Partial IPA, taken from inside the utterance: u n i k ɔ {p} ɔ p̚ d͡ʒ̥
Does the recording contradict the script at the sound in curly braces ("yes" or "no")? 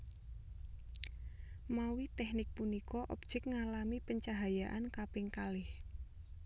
yes